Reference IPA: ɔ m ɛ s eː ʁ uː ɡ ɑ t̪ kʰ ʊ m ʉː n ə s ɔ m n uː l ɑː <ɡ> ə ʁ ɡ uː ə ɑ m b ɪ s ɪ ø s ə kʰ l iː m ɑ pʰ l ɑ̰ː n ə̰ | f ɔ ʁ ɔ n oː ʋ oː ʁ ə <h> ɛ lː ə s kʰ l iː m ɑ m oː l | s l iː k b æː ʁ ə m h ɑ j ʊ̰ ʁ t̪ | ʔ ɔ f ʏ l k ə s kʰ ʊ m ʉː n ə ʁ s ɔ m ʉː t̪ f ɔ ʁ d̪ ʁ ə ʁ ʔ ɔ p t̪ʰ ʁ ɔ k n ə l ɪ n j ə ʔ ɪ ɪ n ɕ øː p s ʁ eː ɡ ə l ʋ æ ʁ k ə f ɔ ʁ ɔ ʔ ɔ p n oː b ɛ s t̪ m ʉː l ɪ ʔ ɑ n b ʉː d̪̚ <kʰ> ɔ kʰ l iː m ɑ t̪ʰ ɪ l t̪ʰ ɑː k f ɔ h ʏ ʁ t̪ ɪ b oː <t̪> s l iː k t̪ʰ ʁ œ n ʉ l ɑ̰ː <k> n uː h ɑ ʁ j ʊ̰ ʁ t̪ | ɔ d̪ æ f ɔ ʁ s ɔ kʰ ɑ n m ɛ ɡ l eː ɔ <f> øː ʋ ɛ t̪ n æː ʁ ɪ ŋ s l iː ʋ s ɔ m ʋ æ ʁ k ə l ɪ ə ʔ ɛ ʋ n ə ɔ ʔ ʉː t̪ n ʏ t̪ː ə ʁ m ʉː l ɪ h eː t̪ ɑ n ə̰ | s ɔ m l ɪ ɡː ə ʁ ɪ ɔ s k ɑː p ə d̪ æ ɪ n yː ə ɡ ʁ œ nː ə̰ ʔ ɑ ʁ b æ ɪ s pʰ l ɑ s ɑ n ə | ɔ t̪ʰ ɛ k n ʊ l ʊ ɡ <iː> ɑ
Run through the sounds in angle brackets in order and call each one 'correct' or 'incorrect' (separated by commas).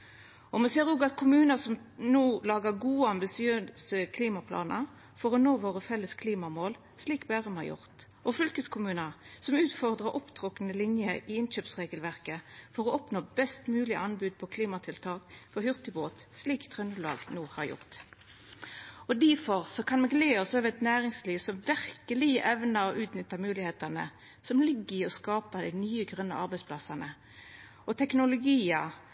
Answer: correct, incorrect, incorrect, correct, incorrect, incorrect, correct